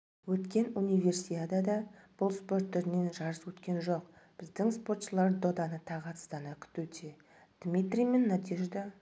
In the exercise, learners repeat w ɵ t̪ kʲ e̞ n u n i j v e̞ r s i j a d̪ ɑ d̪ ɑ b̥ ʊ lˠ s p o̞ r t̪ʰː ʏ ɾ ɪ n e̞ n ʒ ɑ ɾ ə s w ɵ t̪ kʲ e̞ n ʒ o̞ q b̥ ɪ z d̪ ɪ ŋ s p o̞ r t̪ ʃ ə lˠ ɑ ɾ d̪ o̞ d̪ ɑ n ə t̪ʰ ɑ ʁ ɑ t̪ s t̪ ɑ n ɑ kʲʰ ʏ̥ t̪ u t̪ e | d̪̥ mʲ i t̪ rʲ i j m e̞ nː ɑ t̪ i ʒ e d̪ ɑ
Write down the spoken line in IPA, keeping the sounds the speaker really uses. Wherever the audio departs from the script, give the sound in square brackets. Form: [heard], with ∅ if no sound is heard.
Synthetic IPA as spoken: w ɵ t̪ kʲ e̞ n u n i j v e̞ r s i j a d̪ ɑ d̪ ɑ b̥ ʊ lˠ s p o̞ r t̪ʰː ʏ ɾ ɪ n e̞ n ʒ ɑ ɾ ə s w ɵ t̪ kʲ e̞ n ʒ o̞ q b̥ ɪ z d̪ ɪ ŋ s p o̞ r t̪ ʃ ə lˠ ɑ ɾ d̪ o̞ d̪ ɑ n ə t̪ʰ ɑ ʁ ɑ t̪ s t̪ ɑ n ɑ kʲʰ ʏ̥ t̪ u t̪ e | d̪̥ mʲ i t̪ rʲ i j m e̞ nː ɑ t̪ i ʒ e d̪ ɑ